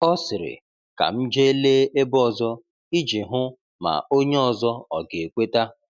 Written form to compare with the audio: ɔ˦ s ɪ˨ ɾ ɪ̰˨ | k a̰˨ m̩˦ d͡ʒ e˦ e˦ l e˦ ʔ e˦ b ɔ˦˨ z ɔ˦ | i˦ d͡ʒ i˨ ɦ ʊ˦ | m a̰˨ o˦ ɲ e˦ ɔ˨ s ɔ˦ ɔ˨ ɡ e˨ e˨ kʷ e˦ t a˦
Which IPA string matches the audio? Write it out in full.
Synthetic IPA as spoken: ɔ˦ s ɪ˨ ɾ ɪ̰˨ | k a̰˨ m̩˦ d͡ʒ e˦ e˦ l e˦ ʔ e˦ b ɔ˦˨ z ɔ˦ | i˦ d͡ʒ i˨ ɦ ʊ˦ | m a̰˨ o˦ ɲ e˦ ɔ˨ z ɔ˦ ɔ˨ ɡ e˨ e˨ kʷ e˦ t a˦